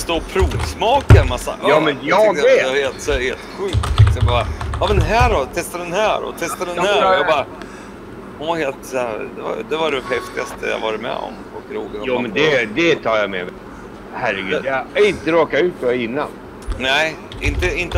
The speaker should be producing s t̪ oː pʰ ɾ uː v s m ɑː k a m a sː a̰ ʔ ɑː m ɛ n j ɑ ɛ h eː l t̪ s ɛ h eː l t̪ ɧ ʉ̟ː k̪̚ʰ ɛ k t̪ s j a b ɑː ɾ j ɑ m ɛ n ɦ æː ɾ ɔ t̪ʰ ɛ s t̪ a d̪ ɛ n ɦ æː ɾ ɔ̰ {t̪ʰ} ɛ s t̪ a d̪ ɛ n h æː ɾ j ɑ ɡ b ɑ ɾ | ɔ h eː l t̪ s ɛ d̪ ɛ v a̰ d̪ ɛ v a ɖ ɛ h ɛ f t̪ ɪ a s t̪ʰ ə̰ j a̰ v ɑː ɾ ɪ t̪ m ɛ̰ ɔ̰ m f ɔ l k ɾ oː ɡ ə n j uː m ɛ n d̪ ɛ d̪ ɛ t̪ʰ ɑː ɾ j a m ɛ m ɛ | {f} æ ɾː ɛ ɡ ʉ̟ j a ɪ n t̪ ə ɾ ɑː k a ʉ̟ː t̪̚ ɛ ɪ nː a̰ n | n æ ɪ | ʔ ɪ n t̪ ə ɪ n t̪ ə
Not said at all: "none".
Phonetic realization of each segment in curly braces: t̪ʰ, h

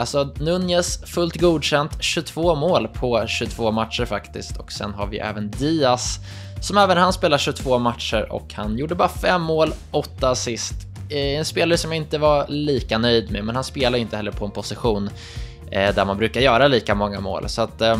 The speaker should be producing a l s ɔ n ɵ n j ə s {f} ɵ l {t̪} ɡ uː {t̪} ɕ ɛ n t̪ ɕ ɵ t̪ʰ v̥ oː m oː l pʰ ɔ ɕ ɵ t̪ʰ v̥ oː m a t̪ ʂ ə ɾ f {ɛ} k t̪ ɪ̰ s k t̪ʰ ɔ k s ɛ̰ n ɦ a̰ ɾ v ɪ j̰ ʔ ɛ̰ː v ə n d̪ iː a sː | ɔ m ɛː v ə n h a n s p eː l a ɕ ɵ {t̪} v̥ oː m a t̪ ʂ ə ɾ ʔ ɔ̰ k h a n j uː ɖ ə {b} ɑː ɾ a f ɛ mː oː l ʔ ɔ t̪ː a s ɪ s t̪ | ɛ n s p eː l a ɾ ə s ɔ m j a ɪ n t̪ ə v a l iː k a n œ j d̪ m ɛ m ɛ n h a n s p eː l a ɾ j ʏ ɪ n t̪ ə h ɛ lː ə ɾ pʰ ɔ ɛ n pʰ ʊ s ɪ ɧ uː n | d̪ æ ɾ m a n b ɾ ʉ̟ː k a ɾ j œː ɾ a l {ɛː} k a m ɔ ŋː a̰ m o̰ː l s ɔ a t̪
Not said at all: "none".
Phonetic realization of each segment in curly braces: f, t̪, d̪, a, t̪ʰ, b, iː

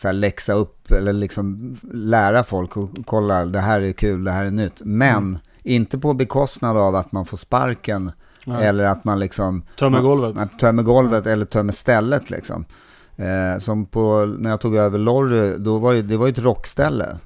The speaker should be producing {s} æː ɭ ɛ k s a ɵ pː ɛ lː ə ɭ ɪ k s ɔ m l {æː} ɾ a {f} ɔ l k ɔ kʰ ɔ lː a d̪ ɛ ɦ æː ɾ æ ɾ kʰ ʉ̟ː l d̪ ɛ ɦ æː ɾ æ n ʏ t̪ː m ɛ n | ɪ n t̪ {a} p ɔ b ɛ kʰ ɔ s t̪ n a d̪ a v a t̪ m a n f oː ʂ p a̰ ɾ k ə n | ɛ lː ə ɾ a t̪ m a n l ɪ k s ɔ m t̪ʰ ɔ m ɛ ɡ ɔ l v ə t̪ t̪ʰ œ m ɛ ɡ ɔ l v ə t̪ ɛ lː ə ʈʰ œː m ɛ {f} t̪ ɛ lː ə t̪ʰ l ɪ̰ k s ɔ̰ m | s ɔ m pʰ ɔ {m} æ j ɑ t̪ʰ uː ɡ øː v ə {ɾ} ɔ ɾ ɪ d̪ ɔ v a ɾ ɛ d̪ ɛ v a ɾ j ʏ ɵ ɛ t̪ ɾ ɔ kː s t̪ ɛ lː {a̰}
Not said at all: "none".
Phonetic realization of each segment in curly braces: s, æː, f, ə, s, n, ɭ, ə̰

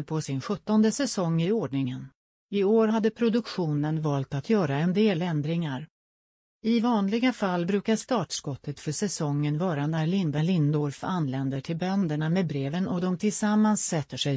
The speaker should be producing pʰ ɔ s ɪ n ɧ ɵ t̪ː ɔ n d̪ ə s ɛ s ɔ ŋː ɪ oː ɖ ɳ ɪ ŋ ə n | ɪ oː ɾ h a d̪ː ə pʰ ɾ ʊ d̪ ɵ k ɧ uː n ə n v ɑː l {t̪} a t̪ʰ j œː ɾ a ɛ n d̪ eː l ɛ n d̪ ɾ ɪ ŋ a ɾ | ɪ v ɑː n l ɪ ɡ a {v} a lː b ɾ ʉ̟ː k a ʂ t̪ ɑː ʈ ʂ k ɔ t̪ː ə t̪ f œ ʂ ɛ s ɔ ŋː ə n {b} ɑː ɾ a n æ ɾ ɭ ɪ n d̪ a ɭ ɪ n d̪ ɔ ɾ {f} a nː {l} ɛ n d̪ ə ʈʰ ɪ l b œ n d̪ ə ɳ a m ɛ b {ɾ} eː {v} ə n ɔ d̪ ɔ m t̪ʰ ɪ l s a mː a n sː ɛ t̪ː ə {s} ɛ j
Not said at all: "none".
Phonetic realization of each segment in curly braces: t̪, f, v, f, l, ɾ, v, ʂ

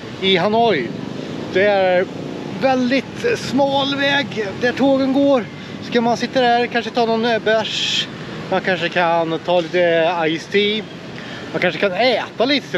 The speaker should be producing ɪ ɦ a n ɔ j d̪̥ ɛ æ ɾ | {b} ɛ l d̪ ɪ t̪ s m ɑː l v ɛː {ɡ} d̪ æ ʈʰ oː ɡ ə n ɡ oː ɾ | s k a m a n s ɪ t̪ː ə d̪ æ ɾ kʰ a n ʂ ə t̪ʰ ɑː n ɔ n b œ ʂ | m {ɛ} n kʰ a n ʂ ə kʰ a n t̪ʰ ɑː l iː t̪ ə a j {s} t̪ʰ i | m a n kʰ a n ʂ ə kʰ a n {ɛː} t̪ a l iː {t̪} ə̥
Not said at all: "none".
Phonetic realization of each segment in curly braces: v, ɡ, a, s, ɛː, t̪

